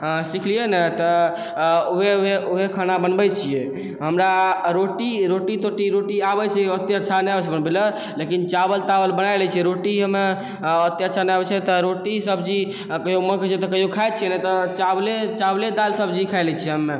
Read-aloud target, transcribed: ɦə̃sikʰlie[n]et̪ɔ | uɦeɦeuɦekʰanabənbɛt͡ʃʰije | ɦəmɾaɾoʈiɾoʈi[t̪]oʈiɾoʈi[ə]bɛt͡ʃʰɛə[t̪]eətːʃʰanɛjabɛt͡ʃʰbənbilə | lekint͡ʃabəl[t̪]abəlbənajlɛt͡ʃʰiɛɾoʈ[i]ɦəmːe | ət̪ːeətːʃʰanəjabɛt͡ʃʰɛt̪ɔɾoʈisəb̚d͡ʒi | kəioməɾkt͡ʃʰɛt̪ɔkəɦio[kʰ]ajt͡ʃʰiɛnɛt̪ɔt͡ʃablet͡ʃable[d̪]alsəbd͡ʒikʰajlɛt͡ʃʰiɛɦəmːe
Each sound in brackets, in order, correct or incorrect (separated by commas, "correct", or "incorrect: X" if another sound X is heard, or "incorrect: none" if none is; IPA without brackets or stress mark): correct, correct, incorrect: a, correct, correct, correct, correct, correct